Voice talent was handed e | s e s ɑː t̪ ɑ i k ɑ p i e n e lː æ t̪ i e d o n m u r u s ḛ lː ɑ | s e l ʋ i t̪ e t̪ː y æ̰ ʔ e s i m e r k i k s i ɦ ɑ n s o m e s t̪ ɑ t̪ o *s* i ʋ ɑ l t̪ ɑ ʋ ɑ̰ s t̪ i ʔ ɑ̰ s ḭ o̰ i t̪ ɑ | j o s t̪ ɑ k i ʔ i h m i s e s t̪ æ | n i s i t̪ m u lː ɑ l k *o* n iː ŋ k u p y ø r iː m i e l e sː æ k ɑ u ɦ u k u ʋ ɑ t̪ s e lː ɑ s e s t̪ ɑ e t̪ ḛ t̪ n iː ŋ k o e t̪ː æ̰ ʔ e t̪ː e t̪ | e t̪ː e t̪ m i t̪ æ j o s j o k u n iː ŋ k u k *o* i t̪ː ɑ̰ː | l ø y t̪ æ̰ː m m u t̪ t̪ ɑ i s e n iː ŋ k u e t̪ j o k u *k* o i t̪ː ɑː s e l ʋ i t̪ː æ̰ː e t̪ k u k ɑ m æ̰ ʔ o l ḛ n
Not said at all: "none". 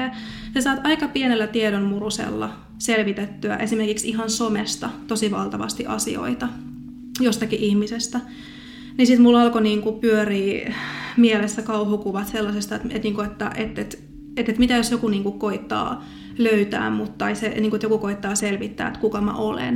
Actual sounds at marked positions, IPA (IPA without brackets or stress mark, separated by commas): s, o, o, k